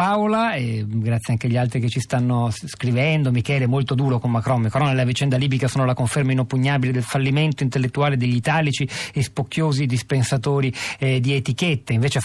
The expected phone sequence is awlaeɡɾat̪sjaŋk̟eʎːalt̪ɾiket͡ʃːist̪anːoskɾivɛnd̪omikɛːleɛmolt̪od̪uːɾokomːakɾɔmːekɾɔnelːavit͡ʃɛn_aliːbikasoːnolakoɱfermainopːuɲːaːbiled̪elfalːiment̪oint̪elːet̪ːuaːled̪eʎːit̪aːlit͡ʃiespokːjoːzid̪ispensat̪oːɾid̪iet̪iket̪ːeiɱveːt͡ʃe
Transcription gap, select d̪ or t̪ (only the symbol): d̪